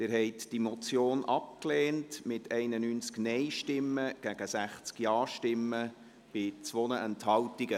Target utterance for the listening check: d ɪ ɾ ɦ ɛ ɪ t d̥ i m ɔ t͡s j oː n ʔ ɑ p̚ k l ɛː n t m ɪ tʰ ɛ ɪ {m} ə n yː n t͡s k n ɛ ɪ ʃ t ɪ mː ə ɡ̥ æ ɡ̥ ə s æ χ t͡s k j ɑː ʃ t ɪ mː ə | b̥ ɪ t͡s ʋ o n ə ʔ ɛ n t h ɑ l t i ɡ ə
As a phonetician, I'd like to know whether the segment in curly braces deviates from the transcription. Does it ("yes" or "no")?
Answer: yes